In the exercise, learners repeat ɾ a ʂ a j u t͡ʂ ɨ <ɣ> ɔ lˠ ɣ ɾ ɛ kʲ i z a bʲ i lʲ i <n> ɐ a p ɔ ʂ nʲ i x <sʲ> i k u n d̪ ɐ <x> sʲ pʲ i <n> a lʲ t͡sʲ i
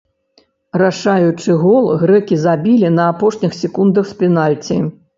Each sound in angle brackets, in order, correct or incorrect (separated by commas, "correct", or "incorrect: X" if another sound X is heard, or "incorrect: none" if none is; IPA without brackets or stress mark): correct, correct, correct, correct, correct